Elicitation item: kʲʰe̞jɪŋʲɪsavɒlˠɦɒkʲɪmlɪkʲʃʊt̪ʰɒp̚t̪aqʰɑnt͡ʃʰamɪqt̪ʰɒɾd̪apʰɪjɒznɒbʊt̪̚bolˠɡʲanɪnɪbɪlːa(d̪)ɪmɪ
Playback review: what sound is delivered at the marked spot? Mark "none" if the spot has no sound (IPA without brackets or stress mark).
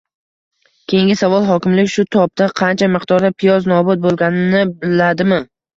d̪